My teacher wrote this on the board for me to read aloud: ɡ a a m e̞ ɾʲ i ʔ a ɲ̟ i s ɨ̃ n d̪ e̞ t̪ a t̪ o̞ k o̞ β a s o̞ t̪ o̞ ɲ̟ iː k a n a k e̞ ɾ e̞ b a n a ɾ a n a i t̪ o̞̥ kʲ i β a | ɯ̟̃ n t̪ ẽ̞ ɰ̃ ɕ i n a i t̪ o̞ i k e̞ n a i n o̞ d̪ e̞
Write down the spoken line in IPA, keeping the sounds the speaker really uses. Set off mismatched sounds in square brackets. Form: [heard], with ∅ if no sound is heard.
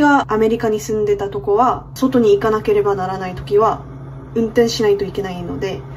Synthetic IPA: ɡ a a m e̞ ɾʲ i [k] a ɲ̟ i s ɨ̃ n d̪ e̞ t̪ a t̪ o̞ k o̞ β a s o̞ t̪ o̞ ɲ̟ iː k a n a k e̞ ɾ e̞ b a n a ɾ a n a i t̪ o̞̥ kʲ i β a | ɯ̟̃ n t̪ ẽ̞ ɰ̃ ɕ i n a i t̪ o̞ i k e̞ n a i n o̞ d̪ e̞